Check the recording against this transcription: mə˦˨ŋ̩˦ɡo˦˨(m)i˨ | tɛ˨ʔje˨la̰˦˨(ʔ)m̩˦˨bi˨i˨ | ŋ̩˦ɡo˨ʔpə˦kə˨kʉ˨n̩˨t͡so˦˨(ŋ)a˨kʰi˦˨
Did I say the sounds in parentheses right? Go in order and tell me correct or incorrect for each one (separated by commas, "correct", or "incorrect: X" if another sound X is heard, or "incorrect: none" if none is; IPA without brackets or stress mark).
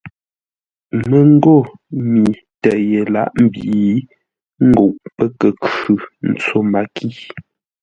correct, correct, incorrect: m